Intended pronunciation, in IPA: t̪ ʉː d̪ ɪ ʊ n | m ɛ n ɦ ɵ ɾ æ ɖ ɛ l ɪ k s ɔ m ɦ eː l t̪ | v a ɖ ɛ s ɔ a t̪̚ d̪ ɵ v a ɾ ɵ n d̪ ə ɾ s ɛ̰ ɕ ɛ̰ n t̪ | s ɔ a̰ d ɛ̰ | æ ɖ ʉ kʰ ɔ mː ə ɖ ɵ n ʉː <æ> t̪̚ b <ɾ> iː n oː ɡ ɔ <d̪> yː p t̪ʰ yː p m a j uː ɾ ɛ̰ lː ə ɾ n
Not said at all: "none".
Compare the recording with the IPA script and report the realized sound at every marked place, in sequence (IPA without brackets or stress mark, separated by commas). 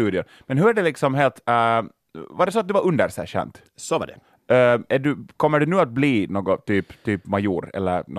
a, l, t̪